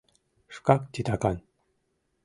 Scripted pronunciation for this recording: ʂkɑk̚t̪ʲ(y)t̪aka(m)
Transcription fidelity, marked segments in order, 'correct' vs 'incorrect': incorrect, incorrect

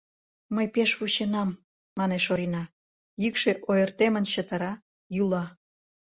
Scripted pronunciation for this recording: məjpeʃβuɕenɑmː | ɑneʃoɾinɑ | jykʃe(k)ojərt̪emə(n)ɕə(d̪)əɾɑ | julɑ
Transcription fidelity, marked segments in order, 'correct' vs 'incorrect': incorrect, correct, incorrect

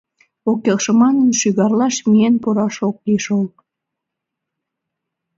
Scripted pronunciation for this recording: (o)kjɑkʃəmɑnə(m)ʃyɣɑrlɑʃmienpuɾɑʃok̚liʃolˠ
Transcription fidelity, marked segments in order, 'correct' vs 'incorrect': correct, incorrect

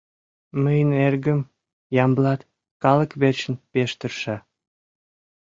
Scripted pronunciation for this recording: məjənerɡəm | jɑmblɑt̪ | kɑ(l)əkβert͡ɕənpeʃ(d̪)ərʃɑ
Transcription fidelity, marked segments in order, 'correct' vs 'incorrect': correct, incorrect

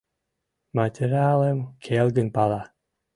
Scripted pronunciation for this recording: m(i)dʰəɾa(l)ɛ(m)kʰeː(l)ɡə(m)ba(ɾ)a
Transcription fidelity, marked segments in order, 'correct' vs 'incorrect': incorrect, correct, correct, correct, incorrect, incorrect

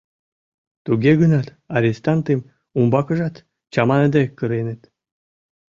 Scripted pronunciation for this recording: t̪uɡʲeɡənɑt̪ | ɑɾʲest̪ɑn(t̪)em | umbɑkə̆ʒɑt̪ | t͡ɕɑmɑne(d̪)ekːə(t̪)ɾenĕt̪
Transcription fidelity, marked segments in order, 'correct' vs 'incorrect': correct, correct, incorrect

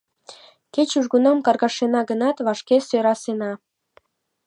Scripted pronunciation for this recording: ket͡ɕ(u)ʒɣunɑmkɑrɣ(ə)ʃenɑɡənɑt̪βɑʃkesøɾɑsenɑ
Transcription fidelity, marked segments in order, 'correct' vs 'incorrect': correct, incorrect

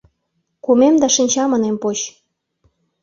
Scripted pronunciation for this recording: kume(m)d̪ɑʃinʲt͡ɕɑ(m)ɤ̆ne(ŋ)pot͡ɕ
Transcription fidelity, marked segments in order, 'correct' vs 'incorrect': correct, correct, incorrect

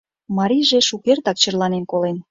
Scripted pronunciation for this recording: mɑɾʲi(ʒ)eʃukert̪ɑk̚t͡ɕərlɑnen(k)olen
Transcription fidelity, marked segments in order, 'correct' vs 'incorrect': correct, correct

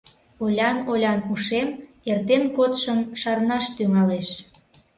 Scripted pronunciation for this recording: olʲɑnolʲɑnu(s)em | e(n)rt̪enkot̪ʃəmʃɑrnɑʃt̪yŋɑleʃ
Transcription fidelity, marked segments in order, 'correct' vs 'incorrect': incorrect, incorrect

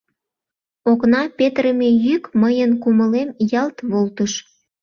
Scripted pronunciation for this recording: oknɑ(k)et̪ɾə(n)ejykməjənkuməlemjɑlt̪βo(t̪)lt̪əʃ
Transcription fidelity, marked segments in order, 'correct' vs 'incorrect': incorrect, incorrect, incorrect

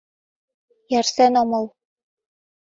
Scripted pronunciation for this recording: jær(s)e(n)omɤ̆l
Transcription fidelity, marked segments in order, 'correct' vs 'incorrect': correct, correct

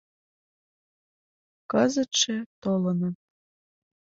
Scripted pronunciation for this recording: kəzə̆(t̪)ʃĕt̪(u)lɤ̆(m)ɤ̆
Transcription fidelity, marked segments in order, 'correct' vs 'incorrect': correct, incorrect, incorrect

